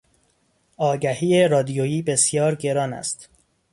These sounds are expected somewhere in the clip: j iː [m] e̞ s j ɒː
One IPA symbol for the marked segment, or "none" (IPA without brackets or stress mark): b